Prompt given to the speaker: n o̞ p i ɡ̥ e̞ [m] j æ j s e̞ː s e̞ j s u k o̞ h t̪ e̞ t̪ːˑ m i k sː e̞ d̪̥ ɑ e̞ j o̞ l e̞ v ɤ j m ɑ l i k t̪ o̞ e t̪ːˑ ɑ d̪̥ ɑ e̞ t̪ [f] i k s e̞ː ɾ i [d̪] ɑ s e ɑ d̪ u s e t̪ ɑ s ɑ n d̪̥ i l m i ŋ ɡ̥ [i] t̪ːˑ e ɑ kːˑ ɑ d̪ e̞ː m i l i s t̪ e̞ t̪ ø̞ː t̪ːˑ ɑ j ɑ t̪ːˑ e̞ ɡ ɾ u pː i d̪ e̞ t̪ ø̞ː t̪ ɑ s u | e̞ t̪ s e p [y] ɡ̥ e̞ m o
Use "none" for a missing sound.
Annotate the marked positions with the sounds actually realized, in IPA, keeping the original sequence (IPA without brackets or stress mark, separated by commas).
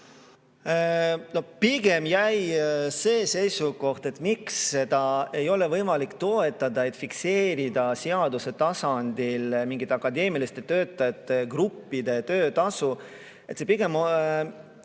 m, f, d̪, i, i